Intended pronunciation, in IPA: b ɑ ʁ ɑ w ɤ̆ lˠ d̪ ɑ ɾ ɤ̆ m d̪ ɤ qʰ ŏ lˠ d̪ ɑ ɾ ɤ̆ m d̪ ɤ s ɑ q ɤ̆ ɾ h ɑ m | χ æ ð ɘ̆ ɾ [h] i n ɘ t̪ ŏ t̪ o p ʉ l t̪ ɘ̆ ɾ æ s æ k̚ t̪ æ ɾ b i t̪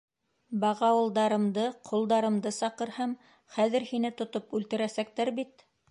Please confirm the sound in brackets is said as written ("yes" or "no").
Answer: yes